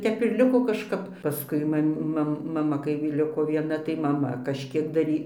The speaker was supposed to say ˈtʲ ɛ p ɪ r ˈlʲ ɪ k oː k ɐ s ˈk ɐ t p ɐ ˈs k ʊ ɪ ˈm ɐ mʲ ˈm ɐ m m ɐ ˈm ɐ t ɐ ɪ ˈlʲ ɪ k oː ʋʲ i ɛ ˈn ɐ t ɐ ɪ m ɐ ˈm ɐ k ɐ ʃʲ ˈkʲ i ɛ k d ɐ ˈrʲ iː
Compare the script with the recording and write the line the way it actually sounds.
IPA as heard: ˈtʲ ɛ p ɪ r ˈlʲ ɪ k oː k ɐ ʃ ˈk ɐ p p ɐ ˈs k ʊ ɪ ˈm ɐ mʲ ˈm ɐ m m ɐ ˈm ɐ k ɐ ɪ ˈlʲ ɪ k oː ʋʲ i ɛ ˈn ɐ t ɐ ɪ m ɐ ˈm ɐ k ɐ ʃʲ ˈkʲ i ɛ k d ɐ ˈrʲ iː